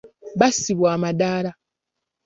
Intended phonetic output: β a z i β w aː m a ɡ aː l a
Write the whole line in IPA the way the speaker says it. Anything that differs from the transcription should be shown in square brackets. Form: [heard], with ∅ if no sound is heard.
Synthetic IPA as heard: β a [s] i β w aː m a [d] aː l a